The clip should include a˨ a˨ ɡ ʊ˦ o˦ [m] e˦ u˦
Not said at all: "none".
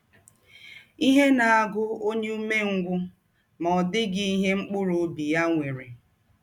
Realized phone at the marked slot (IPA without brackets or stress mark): ɲ